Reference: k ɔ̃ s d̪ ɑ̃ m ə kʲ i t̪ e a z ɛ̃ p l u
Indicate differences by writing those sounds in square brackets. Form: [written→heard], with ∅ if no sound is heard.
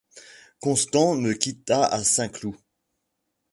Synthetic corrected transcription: k ɔ̃ s [d̪→t̪] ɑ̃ m ə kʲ i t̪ [e→a] a [z→s] ɛ̃ [p→k] l u